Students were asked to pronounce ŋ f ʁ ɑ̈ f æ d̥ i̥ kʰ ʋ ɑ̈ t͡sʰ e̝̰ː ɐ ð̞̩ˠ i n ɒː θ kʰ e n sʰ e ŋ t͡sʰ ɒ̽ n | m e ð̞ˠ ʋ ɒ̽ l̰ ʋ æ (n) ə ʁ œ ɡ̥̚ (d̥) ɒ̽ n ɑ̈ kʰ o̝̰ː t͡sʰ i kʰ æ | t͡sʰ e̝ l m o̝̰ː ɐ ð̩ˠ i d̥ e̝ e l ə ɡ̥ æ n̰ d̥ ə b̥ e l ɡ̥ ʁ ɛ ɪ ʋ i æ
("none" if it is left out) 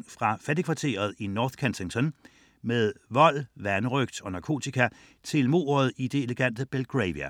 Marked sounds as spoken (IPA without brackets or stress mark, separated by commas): n, d̥